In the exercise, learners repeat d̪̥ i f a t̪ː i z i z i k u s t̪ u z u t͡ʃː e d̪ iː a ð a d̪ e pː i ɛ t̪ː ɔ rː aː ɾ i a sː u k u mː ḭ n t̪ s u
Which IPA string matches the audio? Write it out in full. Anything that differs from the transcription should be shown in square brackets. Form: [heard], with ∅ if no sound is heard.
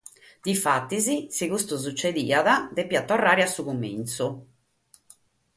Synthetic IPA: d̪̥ i f a t̪ː i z i [s] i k u s t̪ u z u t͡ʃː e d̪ iː a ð a d̪ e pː i [a] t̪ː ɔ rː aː ɾ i a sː u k u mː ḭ n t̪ s u